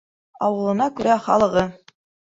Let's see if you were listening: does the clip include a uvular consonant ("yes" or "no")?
yes